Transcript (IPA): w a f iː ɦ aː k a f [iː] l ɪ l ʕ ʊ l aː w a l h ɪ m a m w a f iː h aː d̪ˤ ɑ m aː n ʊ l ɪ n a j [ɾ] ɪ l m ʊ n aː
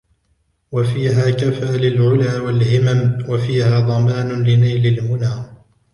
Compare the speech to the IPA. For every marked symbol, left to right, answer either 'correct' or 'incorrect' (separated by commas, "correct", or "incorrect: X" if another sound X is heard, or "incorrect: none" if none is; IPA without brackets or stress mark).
incorrect: aː, incorrect: l